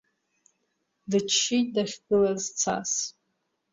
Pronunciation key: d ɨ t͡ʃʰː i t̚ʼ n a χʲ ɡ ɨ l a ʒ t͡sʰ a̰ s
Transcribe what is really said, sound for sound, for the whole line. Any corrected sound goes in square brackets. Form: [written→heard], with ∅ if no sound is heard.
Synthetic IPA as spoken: d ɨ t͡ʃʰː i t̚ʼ [n→d] a χʲ ɡ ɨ l a [ʒ→z] t͡sʰ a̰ s